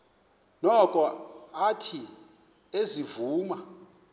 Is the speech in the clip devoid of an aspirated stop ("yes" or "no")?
no